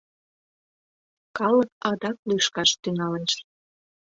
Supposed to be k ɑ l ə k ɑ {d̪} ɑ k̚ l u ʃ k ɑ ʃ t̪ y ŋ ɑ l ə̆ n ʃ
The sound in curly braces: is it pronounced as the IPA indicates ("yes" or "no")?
yes